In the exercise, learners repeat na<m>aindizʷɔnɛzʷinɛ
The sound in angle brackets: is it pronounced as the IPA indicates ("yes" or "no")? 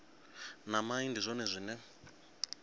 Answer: yes